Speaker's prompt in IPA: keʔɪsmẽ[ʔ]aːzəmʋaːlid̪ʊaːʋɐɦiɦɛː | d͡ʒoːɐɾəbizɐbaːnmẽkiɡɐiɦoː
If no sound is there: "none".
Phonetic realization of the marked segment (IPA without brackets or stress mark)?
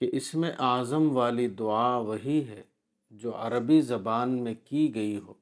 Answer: ʔ